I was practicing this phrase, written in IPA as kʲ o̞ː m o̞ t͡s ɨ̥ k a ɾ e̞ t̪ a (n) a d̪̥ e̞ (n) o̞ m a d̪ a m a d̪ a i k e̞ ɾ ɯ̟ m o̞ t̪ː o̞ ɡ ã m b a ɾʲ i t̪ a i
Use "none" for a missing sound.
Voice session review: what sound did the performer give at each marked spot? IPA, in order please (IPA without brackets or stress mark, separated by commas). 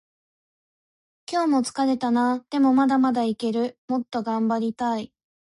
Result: n, m